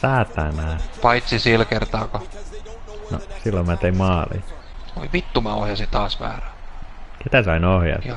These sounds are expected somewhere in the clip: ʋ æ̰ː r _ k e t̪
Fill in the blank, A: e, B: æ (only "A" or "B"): B